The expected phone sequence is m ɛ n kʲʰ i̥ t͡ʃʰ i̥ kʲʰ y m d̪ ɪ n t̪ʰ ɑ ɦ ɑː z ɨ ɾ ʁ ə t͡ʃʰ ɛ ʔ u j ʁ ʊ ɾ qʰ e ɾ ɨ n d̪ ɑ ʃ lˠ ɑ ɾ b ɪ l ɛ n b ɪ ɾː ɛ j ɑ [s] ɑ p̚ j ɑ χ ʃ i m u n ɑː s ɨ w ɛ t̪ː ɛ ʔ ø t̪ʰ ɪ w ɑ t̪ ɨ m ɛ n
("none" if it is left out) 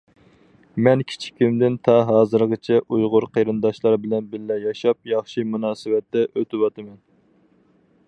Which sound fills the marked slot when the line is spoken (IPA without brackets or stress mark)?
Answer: ʃ